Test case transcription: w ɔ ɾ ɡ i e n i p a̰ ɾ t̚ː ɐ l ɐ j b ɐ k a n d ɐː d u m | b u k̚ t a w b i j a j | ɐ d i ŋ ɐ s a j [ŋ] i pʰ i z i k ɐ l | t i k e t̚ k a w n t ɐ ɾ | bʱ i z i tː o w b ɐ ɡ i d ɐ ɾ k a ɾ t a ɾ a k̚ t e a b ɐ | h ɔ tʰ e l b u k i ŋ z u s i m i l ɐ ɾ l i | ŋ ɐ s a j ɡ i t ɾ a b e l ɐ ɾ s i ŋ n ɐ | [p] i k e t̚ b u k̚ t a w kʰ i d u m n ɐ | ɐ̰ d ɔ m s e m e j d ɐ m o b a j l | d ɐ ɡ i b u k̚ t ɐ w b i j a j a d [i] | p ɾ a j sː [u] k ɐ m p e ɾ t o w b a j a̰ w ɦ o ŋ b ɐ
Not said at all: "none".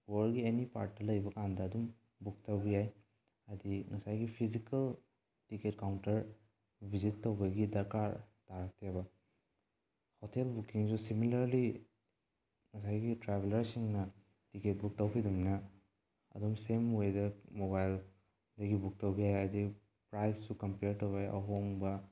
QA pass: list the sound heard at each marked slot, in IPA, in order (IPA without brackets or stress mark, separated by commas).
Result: ɡ, t, i, u